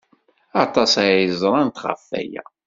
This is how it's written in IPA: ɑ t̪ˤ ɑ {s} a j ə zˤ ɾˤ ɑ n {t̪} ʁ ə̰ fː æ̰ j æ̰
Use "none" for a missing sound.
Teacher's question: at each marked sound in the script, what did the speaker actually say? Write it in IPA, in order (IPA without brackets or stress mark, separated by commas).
s, t̪